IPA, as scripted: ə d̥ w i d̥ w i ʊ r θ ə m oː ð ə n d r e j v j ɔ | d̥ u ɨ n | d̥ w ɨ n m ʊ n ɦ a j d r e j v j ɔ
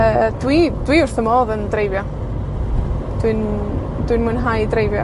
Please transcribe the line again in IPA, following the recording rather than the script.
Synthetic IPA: ə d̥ w i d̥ w i ʊ r θ ə m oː ð ə n d r e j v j ɔ | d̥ w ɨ n | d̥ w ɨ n m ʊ n ɦ a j d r e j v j ɔ